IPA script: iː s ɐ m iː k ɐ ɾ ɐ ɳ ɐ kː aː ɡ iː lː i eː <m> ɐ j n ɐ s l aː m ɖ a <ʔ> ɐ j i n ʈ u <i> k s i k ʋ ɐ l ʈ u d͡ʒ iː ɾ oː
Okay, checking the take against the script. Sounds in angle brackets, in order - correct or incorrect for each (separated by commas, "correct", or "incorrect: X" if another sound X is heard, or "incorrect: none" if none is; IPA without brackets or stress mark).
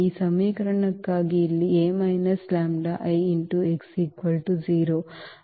correct, correct, incorrect: e